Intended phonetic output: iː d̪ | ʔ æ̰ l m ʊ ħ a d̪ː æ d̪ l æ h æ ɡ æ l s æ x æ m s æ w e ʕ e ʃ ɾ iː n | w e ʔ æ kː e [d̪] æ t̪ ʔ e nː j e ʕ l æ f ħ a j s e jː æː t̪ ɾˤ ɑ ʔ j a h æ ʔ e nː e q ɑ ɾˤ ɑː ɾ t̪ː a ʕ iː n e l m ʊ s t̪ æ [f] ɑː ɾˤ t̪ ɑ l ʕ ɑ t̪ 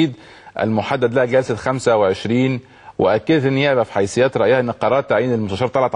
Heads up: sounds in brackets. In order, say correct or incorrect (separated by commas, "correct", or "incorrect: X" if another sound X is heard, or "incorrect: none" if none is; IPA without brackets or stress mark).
correct, incorrect: ʃ